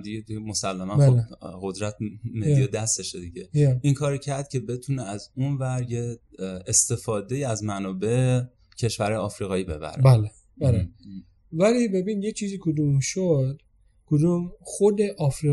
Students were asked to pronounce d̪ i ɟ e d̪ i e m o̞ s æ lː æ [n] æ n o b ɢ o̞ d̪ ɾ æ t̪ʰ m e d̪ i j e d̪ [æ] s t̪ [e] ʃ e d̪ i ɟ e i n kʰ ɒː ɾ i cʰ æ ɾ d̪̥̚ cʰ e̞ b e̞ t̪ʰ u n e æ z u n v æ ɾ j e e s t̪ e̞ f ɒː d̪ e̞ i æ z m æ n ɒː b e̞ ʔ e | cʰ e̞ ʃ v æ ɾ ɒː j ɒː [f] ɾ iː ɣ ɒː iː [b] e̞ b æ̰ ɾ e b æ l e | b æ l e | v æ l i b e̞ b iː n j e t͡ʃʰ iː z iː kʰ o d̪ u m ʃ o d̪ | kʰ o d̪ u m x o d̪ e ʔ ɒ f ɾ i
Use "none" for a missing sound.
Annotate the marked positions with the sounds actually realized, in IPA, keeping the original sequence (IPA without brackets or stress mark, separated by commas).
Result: m, æ, e, f, b